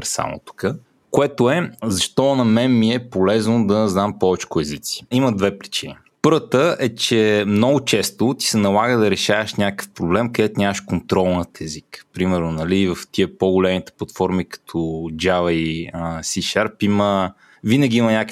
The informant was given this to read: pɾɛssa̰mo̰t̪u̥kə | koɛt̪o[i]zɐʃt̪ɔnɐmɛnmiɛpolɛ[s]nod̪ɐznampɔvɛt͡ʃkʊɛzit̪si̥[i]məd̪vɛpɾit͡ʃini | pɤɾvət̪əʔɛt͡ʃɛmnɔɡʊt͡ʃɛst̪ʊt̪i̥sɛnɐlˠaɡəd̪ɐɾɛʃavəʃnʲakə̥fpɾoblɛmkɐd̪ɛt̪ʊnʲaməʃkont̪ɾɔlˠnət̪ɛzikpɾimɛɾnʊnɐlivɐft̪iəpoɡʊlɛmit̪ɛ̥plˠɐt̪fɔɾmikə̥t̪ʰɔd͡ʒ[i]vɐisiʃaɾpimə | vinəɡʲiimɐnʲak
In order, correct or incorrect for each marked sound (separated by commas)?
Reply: incorrect, incorrect, correct, incorrect